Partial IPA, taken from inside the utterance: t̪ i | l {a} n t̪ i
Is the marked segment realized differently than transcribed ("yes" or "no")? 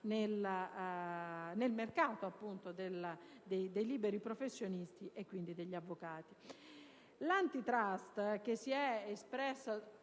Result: no